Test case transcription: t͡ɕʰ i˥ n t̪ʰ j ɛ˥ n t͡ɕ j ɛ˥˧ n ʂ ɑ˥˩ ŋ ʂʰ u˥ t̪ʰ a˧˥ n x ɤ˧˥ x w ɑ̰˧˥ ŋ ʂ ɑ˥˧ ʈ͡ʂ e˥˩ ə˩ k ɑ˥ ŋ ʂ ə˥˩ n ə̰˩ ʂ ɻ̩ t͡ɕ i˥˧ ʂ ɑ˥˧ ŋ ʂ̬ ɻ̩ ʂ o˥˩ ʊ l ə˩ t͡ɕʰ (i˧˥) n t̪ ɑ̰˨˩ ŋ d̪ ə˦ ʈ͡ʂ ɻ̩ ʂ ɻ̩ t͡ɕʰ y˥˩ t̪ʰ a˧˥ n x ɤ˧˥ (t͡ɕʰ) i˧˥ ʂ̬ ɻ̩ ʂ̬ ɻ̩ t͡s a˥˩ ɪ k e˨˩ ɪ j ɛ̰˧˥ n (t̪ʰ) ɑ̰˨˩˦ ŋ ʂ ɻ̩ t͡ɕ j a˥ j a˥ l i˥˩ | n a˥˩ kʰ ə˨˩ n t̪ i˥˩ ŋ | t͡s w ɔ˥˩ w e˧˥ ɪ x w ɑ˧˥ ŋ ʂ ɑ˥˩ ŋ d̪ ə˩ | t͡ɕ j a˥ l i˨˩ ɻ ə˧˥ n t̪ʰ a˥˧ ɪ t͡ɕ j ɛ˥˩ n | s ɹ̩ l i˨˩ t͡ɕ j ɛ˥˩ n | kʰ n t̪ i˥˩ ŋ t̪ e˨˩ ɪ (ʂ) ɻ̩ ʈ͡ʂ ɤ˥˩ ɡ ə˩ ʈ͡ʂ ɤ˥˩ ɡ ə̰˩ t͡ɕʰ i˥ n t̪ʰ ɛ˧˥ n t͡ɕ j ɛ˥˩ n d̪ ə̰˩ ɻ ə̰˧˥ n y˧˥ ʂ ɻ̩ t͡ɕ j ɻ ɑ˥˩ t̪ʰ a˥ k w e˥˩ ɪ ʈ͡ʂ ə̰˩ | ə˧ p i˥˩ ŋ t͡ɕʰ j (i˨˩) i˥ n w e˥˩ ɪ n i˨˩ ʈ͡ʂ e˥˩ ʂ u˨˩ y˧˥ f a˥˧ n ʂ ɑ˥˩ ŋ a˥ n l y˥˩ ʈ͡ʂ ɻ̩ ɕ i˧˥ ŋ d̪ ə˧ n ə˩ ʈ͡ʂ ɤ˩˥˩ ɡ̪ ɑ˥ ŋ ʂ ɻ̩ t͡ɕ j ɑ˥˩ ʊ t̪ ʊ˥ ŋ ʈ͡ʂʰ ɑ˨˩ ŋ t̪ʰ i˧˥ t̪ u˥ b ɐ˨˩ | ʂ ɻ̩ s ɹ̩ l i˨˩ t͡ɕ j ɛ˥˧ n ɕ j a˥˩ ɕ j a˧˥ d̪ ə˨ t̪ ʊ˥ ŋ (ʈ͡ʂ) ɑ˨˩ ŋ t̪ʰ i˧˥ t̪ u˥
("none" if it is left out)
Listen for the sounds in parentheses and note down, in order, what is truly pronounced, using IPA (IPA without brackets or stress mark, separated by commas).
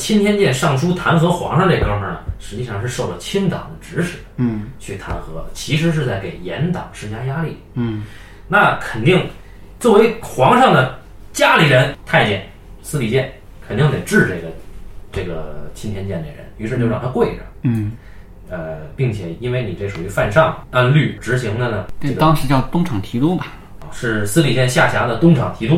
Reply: i˥, t͡ɕʰ, t̪, ʈ͡ʂ, ɛ˨˩, ʈ͡ʂʰ